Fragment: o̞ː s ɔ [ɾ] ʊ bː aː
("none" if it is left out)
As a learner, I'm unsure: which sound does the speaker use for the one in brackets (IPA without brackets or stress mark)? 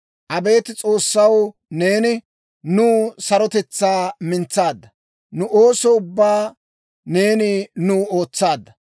none